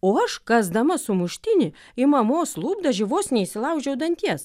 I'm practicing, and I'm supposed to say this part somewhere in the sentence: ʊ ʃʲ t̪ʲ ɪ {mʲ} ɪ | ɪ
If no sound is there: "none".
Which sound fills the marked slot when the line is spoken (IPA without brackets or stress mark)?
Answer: nʲ